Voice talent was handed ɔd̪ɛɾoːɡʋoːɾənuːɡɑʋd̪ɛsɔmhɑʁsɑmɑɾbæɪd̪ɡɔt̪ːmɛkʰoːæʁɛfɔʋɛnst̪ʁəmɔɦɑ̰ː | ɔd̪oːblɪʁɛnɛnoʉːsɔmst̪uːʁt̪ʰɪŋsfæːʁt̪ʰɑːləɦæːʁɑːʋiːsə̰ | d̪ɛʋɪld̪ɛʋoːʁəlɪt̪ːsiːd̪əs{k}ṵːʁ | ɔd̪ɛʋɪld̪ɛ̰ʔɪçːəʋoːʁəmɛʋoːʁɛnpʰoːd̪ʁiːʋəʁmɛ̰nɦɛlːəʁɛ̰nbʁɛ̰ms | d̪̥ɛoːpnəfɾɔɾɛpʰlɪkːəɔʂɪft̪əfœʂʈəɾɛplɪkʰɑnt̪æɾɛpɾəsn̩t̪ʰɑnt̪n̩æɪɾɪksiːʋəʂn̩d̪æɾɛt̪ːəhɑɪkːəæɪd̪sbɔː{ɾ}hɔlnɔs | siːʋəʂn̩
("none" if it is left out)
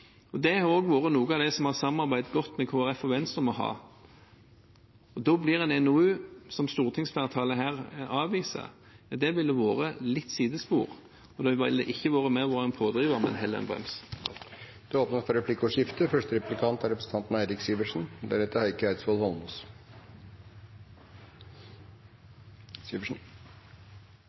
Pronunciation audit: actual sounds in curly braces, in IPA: p, l

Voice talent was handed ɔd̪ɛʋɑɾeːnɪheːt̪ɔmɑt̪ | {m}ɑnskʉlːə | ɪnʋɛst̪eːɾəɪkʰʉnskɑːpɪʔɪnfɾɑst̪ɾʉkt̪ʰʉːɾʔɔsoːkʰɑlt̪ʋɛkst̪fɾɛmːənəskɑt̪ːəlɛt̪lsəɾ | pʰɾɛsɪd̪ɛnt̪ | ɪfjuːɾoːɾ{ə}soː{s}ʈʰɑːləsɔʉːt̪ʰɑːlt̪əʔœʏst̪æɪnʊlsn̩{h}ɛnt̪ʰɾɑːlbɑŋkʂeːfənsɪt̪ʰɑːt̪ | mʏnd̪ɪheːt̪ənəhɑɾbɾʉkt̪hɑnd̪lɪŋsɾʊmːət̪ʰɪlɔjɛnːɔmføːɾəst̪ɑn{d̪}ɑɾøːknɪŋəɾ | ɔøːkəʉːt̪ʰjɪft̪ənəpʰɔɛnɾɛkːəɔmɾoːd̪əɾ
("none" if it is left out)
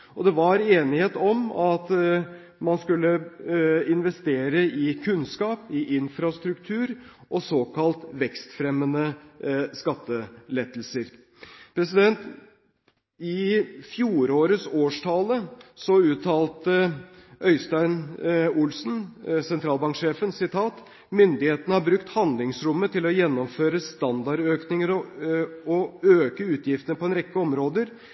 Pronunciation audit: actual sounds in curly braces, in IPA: m, ə, ʂ, s, d̪

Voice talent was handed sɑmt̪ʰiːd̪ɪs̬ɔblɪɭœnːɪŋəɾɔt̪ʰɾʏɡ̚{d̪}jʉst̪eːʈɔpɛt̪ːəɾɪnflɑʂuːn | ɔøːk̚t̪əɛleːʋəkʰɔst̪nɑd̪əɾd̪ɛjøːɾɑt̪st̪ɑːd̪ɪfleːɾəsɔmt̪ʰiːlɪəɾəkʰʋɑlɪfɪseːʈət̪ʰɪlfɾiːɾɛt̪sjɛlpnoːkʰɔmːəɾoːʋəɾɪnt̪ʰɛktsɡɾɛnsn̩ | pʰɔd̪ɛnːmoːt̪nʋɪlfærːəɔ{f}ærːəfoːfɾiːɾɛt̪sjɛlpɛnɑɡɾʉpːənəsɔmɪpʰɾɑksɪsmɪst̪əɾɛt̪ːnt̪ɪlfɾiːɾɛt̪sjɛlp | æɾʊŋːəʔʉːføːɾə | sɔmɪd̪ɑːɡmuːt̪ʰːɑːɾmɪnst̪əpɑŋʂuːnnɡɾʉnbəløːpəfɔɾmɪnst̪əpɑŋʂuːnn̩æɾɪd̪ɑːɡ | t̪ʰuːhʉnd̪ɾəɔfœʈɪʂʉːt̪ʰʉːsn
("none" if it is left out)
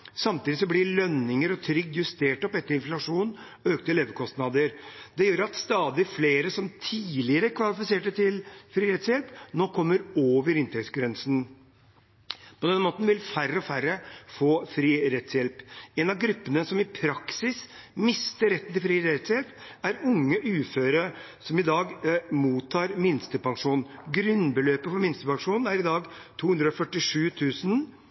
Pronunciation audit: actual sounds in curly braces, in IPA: d̪, f

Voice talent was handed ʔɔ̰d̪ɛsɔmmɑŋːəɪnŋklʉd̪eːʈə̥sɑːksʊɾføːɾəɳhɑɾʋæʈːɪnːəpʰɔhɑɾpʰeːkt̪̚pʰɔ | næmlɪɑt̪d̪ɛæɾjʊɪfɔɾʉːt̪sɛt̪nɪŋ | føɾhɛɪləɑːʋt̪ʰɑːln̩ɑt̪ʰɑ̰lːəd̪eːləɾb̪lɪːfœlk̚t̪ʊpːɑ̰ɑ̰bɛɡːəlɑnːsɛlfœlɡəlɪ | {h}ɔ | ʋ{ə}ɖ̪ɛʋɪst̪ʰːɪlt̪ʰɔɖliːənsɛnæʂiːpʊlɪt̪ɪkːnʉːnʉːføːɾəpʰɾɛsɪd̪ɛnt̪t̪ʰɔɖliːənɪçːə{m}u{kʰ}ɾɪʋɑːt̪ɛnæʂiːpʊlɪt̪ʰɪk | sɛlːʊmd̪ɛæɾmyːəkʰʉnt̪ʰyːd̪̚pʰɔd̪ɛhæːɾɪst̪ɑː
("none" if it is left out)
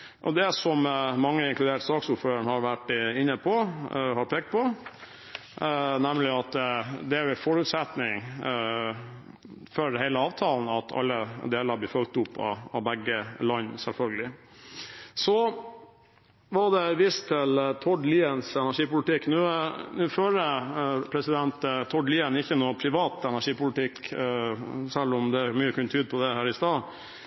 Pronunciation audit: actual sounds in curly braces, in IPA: s, ɑ, n, pʰ

